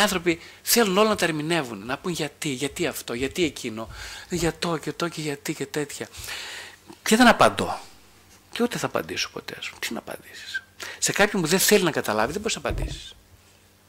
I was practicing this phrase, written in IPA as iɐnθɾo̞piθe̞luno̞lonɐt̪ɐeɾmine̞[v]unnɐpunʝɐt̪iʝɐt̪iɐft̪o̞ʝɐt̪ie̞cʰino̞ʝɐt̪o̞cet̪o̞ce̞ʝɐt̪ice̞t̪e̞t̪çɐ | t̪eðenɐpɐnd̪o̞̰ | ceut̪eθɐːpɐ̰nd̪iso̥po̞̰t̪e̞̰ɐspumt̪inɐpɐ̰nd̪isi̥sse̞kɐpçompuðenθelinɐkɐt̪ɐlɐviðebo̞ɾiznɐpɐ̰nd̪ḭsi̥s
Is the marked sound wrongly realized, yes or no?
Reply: no